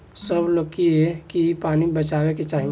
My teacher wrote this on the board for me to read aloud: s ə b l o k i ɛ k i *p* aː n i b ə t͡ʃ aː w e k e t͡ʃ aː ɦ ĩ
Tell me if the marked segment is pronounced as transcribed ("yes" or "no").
yes